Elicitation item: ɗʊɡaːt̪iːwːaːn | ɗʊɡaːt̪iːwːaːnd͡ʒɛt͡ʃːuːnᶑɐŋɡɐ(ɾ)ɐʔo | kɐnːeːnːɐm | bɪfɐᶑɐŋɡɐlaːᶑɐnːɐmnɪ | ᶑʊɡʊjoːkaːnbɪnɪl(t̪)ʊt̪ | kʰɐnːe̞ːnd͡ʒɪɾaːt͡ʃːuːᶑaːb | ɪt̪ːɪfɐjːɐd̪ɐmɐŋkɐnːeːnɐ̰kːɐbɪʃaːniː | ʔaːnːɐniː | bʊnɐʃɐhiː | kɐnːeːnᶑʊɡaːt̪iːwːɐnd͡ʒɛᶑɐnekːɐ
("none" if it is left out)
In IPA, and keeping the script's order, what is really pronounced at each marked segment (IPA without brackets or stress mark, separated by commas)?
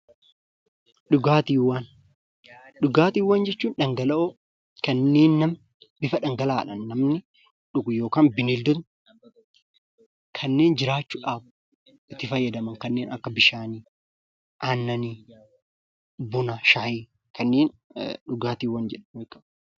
l, d̪